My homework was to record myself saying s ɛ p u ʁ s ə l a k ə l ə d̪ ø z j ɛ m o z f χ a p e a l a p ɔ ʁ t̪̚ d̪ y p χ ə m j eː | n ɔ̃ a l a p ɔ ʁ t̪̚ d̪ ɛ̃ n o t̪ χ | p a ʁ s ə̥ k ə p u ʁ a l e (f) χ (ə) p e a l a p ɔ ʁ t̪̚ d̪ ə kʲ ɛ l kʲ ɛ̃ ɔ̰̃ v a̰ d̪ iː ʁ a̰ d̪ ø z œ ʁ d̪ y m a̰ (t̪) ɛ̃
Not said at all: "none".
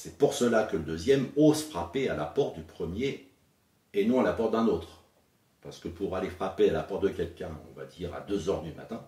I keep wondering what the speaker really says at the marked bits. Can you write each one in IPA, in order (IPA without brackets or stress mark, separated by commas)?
f, a, t̪